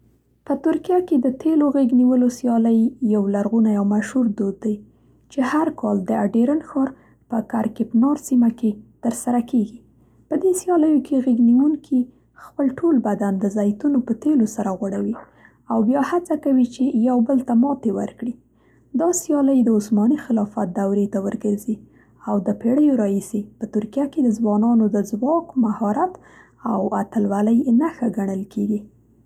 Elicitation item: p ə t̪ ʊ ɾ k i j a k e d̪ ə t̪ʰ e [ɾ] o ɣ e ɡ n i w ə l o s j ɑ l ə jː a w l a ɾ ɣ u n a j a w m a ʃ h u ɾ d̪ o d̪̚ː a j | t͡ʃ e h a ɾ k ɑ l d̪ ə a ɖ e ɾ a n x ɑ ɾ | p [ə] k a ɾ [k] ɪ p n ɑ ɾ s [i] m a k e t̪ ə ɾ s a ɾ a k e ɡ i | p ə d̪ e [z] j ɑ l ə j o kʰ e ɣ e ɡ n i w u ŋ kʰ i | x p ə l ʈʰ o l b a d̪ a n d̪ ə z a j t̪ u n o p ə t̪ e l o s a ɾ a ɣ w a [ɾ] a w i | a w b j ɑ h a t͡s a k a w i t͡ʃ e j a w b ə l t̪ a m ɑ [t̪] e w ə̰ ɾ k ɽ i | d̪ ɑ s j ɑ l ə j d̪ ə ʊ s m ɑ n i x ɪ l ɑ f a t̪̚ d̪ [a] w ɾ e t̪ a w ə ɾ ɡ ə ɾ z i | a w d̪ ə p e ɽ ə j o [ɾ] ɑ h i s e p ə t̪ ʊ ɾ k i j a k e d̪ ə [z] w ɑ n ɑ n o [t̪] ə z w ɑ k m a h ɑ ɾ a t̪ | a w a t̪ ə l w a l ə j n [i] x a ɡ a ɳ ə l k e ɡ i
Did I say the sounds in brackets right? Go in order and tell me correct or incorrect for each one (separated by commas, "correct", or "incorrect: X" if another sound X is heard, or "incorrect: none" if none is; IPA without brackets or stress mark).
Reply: incorrect: l, correct, correct, correct, incorrect: s, incorrect: ɽ, correct, correct, correct, correct, incorrect: d̪, incorrect: a